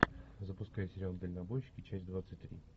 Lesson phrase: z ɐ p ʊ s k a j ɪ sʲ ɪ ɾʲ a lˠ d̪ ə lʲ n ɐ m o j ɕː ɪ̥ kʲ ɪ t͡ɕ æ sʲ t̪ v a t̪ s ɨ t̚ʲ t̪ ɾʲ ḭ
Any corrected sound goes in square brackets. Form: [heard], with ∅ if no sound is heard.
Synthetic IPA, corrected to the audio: z [ə] p ʊ s k a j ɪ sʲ ɪ ɾʲ a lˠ d̪ ə lʲ n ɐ [b] o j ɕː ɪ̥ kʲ ɪ t͡ɕ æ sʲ [d̪] v a t̪ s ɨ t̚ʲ t̪ ɾʲ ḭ